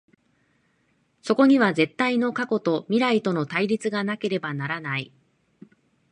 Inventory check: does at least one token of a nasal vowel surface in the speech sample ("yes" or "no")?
no